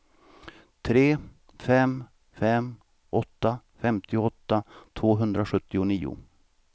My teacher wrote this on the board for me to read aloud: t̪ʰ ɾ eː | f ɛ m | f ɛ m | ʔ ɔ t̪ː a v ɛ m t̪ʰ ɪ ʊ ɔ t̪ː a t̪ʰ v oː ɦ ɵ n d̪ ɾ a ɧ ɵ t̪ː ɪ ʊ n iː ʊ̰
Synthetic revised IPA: t̪ʰ ɾ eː | f ɛ m | f ɛ m | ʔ ɔ t̪ː a f ɛ m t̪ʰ ɪ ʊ ɔ t̪ː a t̪ʰ v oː ɦ ɵ n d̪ ɾ a ɧ ɵ t̪ː ɪ ʊ n iː ʊ̰